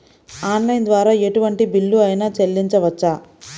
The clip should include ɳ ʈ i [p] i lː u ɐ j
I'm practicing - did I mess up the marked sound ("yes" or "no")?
yes